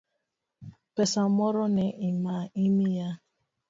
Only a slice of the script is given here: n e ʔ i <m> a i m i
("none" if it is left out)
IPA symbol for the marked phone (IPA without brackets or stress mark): m